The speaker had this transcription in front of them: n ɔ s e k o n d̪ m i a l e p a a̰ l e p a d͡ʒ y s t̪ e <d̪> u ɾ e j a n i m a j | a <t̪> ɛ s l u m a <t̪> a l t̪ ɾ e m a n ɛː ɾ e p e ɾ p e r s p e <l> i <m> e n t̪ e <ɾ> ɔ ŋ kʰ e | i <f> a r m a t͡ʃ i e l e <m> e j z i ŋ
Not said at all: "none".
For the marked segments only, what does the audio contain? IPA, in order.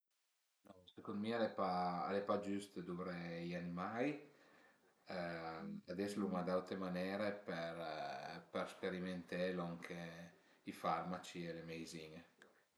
d̪, d̪, d̪, ɾ, m, l, f, m

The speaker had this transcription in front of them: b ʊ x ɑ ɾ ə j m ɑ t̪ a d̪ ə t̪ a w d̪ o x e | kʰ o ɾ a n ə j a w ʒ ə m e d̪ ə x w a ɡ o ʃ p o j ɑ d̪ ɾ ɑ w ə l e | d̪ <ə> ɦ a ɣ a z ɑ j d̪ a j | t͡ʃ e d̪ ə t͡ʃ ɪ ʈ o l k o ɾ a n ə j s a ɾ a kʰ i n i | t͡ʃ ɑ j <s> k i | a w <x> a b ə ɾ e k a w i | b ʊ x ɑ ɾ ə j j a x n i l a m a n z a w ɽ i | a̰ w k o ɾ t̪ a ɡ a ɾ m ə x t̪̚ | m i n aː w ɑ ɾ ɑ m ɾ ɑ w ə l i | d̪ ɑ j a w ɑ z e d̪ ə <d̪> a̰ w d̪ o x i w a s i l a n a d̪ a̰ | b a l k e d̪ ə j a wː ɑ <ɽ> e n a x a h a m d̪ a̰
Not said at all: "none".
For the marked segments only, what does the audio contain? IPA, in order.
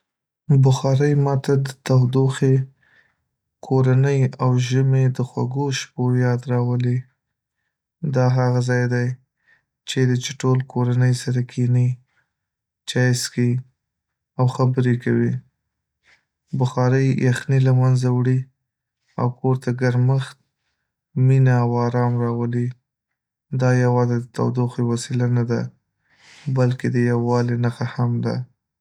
ɑ, s, x, t̪, l

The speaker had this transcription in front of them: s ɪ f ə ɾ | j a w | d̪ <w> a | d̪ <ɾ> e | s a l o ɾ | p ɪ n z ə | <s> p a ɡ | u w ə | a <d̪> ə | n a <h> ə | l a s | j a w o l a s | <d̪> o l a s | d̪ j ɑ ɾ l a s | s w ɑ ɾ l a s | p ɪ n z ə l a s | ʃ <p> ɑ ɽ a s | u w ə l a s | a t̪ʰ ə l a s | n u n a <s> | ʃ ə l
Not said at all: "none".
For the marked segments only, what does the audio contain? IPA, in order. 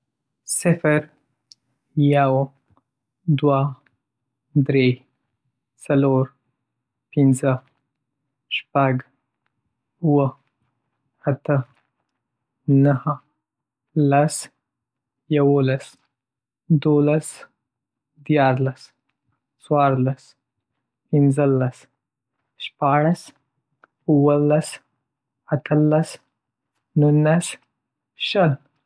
w, ɾ, ʃ, t̪, h, d̪, p, s

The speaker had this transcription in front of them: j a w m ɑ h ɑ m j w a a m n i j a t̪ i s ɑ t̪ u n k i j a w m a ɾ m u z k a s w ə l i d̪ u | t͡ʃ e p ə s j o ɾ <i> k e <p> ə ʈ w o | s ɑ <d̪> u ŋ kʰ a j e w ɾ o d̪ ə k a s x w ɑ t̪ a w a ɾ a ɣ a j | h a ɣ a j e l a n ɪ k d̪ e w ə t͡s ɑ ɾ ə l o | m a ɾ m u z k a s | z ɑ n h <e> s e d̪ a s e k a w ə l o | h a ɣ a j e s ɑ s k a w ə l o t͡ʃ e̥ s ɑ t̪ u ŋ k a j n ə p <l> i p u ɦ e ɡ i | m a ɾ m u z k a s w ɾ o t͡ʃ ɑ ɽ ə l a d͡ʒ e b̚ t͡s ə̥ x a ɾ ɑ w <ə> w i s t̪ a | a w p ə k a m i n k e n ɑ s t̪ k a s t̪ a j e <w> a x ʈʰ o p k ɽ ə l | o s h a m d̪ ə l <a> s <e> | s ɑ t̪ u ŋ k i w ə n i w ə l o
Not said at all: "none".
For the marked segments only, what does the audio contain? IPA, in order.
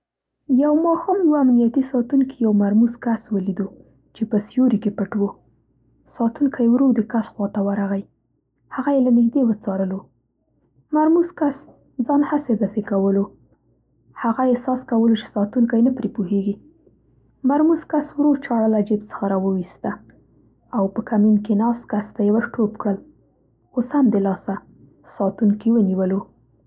i, p, t̪, a, ɾ, ə, w, ɑ, a

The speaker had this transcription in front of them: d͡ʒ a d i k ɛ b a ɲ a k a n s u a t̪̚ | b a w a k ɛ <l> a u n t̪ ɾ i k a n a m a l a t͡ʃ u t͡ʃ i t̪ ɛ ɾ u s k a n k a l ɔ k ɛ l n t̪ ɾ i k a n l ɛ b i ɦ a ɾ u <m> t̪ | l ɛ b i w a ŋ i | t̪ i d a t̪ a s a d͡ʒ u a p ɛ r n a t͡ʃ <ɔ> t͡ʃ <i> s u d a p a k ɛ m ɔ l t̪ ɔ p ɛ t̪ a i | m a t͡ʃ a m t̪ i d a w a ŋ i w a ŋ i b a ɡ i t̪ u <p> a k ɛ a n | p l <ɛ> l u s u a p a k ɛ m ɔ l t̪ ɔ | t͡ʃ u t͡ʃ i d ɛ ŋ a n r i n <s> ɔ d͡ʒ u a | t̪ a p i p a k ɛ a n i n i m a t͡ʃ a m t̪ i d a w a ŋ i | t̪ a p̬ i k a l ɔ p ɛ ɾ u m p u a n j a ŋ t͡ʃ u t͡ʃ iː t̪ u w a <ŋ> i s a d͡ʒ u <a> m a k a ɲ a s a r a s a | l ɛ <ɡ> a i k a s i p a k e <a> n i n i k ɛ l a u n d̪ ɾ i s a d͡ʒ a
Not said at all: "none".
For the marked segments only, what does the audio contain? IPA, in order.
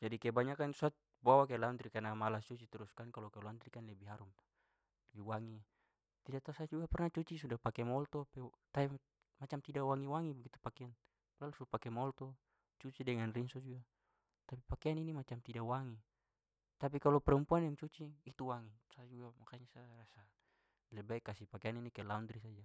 l, m, u, i, p, a, s, ŋ, a, b, a

